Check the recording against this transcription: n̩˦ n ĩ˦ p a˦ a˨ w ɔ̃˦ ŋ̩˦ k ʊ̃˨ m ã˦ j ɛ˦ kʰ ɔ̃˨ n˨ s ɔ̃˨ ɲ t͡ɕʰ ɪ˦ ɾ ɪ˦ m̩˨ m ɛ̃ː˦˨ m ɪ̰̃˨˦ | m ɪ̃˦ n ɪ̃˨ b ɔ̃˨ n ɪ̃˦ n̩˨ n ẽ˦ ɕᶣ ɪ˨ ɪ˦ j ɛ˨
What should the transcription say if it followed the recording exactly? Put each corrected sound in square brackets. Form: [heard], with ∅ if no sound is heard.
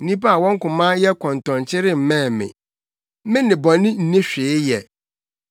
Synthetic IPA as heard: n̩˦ n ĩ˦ p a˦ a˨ w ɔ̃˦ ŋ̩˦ k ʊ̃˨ m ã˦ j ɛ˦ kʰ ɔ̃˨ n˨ [t] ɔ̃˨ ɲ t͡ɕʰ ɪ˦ ɾ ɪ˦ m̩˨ m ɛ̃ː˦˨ m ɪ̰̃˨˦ | m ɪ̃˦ n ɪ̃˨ b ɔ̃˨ n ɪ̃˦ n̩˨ n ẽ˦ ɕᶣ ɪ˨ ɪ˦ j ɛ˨